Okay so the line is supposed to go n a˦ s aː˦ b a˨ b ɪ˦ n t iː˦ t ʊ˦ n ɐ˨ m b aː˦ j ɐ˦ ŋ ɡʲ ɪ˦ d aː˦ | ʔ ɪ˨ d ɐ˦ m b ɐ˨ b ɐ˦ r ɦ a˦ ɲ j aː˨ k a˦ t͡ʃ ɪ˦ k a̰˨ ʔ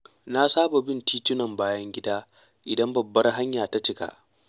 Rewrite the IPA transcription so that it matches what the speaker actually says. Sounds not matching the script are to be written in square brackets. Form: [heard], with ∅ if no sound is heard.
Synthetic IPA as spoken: n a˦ s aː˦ b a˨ b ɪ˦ n t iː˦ t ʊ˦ n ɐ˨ m b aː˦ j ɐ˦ ŋ ɡʲ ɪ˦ d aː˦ | ʔ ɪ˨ d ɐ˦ m b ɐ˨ [bː] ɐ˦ r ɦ a˦ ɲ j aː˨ [t] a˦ t͡ʃ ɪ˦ k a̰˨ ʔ